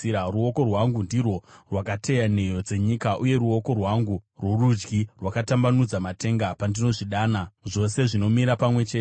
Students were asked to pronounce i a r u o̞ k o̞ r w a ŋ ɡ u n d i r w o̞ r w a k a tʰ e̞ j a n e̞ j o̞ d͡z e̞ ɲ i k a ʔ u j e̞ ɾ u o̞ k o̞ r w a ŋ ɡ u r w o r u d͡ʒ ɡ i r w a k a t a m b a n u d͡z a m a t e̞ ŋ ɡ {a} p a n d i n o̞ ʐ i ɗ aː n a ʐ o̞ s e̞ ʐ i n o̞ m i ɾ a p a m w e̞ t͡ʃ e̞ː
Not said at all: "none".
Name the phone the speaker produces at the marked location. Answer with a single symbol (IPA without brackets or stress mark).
a